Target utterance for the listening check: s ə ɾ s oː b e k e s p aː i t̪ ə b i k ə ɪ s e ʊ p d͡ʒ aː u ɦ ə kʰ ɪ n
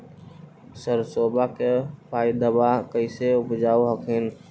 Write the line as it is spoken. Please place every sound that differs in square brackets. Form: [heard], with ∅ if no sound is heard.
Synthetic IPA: s ə ɾ s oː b [a] k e [∅] p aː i [d̪] ə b [a] k ə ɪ s e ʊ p d͡ʒ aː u ɦ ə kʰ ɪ n